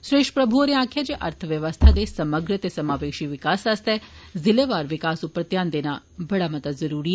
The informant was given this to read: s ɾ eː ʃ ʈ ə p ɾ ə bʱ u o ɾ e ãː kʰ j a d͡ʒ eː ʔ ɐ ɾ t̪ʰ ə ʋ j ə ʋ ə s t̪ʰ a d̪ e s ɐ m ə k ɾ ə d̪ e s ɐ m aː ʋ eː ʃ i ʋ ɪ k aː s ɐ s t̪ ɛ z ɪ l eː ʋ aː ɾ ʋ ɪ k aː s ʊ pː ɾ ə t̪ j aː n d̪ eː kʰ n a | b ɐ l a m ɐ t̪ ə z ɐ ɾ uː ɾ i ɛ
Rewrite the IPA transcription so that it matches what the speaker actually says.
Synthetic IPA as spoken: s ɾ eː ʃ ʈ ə p ɾ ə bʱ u o ɾ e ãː kʰ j a d͡ʒ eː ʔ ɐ ɾ t̪ʰ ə ʋ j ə ʋ ə s t̪ʰ a d̪ e s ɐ m ə ɡ ɾ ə t̪ e s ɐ m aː ʋ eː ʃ i ʋ ɪ k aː s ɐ s t̪ ɛ z ɪ l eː ʋ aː ɾ ʋ ɪ k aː s ʊ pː ɾ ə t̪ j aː n d̪ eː n a | b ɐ ɽ a m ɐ t̪ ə z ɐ ɾ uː ɾ i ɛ

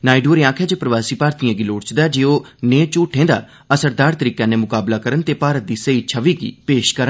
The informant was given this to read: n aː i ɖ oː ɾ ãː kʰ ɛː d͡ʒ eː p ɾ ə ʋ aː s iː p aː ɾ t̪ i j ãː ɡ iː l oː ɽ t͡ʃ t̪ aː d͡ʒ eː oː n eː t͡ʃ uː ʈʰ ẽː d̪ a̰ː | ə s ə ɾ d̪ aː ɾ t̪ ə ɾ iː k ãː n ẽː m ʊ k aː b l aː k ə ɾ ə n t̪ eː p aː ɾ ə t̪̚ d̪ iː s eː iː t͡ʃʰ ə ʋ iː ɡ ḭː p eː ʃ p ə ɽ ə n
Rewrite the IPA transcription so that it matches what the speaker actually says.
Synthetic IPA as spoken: n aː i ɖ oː ɾ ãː kʰ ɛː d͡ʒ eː p ɾ ə ʋ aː s iː p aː ɾ t̪ i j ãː ɡ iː l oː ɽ t͡ʃ d̪ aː d͡ʒ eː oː n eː t͡ʃ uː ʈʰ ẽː d̪ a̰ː | ə s ə ɾ d̪ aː ɾ t̪ ə ɾ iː k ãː n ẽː m ʊ k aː b l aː k ə ɾ ə n t̪ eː p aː ɾ ə t̪̚ d̪ iː s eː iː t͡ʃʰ ə ʋ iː ɡ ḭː p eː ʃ k ə ɾ ə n

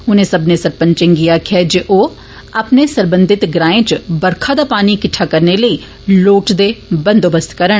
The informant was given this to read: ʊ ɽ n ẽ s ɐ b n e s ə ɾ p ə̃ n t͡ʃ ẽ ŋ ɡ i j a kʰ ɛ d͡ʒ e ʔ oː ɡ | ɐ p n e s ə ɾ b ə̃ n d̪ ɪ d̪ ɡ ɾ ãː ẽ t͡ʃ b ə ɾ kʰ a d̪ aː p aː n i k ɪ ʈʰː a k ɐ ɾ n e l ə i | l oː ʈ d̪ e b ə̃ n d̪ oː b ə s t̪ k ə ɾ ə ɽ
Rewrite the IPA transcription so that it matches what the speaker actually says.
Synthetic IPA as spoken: ʊ n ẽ s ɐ b n e s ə ɾ p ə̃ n t͡ʃ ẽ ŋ ɡ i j a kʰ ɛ d͡ʒ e ʔ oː | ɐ p n e s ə ɾ b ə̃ n d̪ ɪ t̪ ɡ ɾ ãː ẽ t͡ʃ b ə ɾ kʰ a d̪ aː p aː n i k ɪ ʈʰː a k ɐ ɾ n e l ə i | l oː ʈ d̪ e b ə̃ n d̪ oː b ə s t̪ k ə ɾ ə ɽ

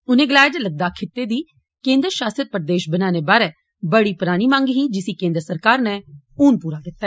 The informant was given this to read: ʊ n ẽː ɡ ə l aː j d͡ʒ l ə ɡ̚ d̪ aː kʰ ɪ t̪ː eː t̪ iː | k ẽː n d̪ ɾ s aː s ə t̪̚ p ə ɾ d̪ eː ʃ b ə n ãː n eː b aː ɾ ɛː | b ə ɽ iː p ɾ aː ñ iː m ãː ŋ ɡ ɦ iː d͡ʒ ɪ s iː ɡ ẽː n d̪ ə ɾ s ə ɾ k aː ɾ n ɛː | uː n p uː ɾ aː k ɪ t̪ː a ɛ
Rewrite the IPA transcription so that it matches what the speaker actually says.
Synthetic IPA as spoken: ʊ n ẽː ɡ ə l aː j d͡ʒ l ə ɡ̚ d̪ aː kʰ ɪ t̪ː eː d̪ iː | k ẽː n d̪ ɾ ʃ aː s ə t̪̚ p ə ɾ d̪ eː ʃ b ə n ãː n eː b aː ɾ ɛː | b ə ɽ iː p ɾ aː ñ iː m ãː ŋ ɡ ɦ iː d͡ʒ ɪ s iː k ẽː n d̪ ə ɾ s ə ɾ k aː ɾ n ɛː | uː n p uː ɾ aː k ɪ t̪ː a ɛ

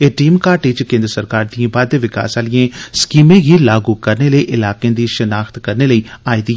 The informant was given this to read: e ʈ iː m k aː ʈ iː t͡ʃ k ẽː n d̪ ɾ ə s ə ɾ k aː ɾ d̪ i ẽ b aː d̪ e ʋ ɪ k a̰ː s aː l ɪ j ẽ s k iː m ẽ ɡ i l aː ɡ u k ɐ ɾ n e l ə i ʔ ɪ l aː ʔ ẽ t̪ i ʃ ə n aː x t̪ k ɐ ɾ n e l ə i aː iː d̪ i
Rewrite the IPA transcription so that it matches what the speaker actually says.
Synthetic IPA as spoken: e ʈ iː m k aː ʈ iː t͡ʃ k ẽː n d̪ ɾ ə s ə ɾ k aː ɾ d̪ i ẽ b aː d̪ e ʋ ɪ k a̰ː s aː l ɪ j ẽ s k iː m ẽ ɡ i l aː ɡ u k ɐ ɾ n e l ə i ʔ ɪ l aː k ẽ d̪ i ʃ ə n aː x t̪ k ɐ ɾ n e l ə i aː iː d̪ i

